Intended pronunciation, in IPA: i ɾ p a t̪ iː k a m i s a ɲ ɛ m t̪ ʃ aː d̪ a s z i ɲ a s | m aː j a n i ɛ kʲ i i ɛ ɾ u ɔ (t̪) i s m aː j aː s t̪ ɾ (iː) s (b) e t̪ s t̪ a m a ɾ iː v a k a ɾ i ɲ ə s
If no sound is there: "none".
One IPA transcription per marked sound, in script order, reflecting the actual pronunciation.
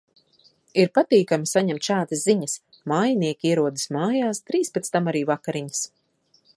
d̪, iː, p

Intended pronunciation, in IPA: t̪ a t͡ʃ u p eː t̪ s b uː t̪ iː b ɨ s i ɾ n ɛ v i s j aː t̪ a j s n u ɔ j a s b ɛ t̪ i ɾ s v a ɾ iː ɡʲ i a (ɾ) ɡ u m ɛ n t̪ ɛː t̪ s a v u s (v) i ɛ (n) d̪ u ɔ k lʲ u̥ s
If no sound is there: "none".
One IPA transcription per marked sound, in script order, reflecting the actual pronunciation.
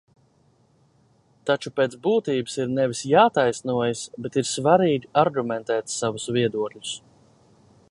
ɾ, v, none

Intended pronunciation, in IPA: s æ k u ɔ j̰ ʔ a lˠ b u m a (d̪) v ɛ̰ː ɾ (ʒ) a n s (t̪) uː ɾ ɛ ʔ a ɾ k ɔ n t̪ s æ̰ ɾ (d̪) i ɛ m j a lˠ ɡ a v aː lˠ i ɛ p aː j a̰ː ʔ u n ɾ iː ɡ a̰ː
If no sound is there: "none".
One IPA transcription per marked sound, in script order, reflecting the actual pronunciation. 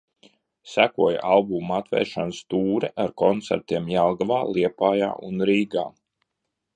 t̪, ʃ, t̪, t̪

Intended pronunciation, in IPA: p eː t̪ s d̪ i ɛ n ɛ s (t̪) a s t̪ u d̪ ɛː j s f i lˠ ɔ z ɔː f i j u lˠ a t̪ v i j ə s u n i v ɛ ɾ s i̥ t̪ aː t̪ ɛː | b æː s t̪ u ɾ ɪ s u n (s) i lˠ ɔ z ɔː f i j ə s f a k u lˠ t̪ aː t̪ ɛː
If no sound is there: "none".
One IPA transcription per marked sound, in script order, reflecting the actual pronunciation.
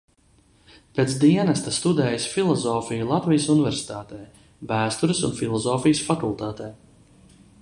t̪, f

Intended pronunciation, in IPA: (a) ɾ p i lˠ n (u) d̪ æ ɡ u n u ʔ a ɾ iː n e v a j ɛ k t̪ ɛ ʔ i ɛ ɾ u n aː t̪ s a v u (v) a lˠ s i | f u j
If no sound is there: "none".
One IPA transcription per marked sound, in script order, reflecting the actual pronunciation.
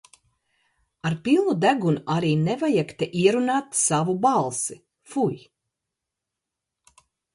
a, u, b

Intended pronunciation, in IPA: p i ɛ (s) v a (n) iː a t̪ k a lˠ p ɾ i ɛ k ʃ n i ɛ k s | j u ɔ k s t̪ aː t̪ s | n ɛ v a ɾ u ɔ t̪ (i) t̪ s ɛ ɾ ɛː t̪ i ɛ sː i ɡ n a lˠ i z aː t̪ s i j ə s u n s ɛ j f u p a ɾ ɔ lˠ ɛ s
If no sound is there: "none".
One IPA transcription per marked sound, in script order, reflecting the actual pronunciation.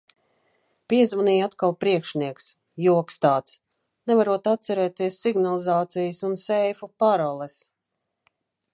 z, n, a

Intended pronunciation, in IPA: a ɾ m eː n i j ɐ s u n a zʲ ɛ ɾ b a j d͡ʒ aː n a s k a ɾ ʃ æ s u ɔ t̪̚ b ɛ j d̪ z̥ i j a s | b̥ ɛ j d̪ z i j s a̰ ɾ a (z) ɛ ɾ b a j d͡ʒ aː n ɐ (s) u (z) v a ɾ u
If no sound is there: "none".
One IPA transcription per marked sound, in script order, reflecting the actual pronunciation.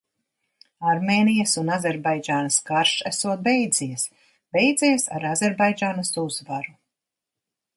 z, s, z

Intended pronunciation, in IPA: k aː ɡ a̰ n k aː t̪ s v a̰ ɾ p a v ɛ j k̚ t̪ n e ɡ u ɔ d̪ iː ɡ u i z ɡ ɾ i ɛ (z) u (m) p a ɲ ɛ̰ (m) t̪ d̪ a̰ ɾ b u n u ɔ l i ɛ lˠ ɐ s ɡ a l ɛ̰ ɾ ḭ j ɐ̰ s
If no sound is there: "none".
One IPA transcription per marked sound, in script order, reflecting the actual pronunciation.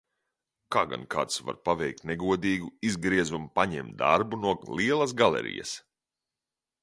z, m, m

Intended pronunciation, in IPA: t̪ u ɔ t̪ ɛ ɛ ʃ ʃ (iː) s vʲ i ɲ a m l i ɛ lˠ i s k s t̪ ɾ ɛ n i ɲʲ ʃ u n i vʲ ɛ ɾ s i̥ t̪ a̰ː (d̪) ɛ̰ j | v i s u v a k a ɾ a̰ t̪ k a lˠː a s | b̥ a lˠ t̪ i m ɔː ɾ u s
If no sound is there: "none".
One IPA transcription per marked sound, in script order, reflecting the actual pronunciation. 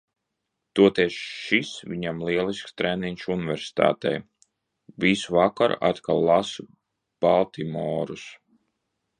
i, t̪

